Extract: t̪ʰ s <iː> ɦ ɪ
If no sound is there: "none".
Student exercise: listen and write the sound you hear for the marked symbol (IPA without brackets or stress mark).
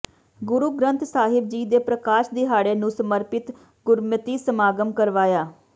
aː